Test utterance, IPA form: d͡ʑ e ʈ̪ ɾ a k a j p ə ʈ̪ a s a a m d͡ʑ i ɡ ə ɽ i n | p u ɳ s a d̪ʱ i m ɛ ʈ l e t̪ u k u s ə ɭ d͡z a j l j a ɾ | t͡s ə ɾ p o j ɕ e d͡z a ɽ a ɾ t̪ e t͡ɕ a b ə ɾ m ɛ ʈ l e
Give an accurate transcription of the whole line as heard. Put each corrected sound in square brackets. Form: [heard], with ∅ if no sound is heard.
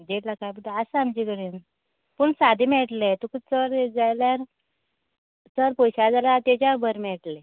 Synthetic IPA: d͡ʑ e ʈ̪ [l] a k a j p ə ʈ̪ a s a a m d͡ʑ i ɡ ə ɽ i n | p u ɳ s a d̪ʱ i m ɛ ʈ l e t̪ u k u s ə [ɾ] d͡z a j l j a ɾ | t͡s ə ɾ p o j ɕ [a] d͡z a [l] a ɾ t̪ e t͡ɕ a b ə ɾ m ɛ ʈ l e